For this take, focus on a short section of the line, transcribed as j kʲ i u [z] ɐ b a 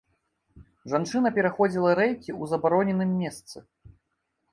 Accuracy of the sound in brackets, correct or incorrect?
correct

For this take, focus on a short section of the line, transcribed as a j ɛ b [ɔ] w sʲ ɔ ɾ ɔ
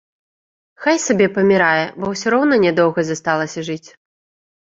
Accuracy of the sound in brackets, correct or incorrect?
correct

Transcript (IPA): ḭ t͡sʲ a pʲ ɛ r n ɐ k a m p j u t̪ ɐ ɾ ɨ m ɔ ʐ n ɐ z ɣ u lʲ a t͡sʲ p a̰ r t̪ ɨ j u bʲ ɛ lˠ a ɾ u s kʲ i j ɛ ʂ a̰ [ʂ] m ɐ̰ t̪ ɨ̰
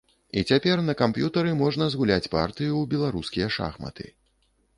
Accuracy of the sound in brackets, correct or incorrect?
incorrect: x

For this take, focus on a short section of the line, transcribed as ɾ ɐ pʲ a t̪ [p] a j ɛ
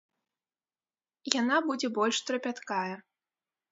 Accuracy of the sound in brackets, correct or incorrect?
incorrect: k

